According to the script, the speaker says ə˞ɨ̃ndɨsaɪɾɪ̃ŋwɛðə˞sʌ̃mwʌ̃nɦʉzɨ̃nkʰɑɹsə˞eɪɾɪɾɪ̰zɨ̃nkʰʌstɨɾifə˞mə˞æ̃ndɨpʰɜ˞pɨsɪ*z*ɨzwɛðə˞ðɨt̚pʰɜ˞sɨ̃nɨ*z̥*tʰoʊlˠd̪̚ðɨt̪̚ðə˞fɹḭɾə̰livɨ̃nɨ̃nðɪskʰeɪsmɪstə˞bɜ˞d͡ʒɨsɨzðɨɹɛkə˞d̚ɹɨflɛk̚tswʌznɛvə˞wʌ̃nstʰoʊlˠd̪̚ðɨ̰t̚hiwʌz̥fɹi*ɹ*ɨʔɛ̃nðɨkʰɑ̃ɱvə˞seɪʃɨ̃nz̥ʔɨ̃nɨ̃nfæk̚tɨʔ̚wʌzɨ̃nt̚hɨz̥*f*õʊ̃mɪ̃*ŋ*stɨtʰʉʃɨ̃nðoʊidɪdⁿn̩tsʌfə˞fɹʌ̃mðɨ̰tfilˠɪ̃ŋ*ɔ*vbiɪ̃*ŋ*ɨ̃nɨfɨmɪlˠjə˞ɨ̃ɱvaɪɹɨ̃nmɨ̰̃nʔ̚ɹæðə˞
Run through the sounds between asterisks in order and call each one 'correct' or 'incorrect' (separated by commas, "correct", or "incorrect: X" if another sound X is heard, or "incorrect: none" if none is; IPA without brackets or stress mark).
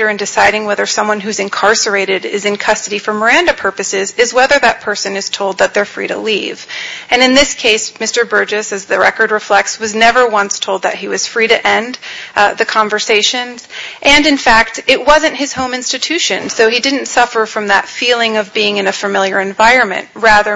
correct, correct, incorrect: ɾ, incorrect: h, incorrect: n, incorrect: ʌ, correct